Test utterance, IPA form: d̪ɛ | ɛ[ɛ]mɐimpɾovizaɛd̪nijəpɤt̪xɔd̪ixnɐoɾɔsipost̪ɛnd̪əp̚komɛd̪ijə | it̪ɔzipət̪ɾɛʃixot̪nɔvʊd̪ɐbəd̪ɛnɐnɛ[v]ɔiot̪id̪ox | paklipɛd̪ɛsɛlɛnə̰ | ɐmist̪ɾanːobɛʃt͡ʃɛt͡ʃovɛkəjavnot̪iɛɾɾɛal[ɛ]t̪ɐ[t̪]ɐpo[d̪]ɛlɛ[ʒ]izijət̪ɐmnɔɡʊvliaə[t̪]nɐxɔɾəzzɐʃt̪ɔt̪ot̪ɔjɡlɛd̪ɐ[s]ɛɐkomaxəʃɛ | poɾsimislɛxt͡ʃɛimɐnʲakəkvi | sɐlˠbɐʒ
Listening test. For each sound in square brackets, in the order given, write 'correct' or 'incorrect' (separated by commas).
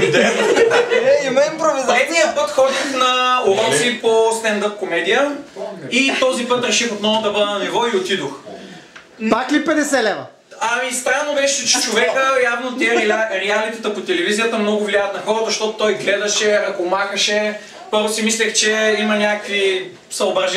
incorrect, correct, incorrect, correct, incorrect, incorrect, correct, incorrect